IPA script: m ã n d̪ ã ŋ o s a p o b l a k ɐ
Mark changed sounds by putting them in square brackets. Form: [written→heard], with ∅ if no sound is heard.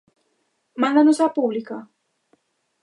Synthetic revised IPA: m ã n d̪ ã [ŋ→n] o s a p [o→u] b l [a→i] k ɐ